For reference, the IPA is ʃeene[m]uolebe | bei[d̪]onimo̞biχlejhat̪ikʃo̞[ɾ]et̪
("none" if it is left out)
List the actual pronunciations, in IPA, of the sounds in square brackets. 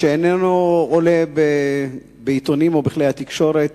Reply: n, t̪, ɾ

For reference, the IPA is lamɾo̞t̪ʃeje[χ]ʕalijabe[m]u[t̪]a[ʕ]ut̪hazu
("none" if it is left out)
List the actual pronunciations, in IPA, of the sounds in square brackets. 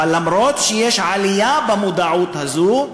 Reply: ʃ, m, d̪, ʕ

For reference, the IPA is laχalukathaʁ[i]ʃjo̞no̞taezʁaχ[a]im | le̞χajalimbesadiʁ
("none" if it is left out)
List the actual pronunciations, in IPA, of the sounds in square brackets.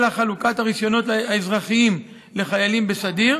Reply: i, i

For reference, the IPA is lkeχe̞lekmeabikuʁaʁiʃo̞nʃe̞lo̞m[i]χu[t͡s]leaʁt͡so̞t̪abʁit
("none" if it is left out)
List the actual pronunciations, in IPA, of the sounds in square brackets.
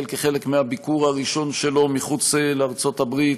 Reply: i, t͡s

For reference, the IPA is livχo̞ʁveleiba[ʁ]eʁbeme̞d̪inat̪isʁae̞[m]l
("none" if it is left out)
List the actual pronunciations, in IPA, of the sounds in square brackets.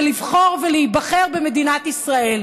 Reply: χ, none

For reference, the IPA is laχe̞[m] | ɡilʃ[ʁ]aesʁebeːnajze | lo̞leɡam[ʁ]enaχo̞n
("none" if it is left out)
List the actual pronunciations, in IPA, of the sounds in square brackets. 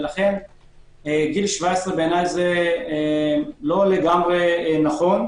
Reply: n, v, ʁ

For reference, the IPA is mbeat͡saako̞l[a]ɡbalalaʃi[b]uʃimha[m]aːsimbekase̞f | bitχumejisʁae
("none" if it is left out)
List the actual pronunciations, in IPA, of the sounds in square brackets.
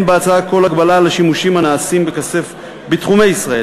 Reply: a, m, n

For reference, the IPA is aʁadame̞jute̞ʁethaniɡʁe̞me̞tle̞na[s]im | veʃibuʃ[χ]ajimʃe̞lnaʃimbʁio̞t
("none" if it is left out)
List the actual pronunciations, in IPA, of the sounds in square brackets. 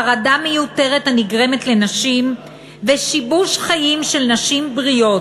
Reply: ʃ, χ

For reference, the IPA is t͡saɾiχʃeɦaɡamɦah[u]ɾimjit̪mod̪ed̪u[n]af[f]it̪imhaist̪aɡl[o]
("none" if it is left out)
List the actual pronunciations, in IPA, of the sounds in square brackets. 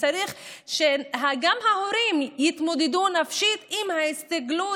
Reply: o, n, ʃ, u

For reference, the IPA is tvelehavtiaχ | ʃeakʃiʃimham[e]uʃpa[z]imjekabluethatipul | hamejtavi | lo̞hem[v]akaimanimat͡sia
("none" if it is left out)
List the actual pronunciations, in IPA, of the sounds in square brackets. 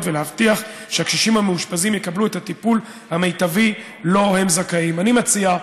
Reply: e, z, z

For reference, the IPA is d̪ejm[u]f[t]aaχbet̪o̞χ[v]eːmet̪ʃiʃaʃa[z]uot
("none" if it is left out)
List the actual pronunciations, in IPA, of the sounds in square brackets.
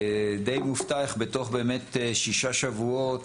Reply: u, t, b, v

